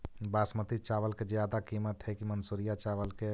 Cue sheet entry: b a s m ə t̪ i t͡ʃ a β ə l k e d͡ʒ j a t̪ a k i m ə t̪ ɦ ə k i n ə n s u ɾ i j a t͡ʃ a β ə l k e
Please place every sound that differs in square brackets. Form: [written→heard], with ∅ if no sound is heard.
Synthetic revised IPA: b a s m ə t̪ i t͡ʃ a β ə l k e d͡ʒ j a [t̪→d̪] a k i m ə t̪ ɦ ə k i [n→m] ə n s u ɾ i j a t͡ʃ a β ə l k e